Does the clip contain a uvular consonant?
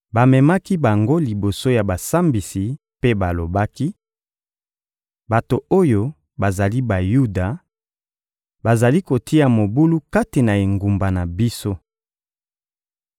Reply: no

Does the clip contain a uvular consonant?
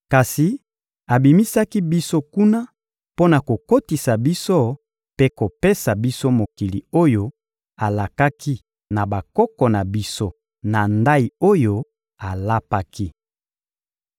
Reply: no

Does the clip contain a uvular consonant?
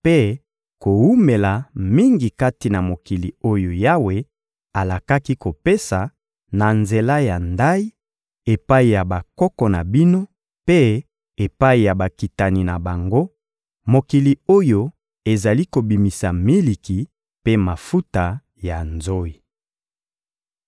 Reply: no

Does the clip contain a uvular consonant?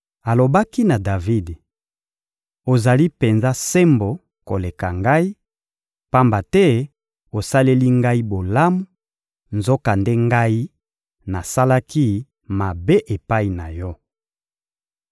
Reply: no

